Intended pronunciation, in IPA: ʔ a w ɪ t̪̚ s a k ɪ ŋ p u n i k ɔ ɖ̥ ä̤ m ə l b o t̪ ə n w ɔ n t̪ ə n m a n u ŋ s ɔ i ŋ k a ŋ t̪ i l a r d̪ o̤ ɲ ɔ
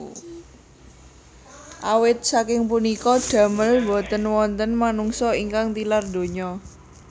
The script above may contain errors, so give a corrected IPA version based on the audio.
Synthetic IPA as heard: ʔ a w ɪ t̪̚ s a k ɪ ŋ p u n i k ɔ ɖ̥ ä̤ m ə l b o t̪ ə n w ɔ n t̪ ə n m a n u ŋ s ɔ i ŋ k a ŋ t̪ i l a r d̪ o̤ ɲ ɔ